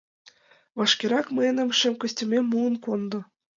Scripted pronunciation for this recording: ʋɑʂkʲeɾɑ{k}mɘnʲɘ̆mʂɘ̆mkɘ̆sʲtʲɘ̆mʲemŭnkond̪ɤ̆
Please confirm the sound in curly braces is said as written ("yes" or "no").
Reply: yes